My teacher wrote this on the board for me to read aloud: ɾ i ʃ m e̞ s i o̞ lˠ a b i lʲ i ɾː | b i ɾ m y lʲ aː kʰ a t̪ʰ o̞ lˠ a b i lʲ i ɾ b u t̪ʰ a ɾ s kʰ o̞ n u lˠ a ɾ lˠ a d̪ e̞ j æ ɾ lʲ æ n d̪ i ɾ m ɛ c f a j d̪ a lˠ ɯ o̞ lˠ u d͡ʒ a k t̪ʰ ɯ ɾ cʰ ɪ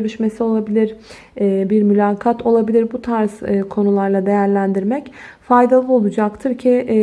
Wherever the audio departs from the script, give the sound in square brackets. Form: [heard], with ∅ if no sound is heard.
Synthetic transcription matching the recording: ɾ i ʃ m e̞ s i o̞ lˠ a b i lʲ i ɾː | b i ɾ m y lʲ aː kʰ a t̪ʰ o̞ lˠ a b i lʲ i ɾ b u t̪ʰ a ɾ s kʰ o̞ n u lˠ a ɾ lˠ a d̪ e̞ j æ ɾ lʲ æ n d̪ i ɾ m ɛ c f a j d̪ a lˠ ɯ o̞ lˠ u d͡ʒ a k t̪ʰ ɯ ɾ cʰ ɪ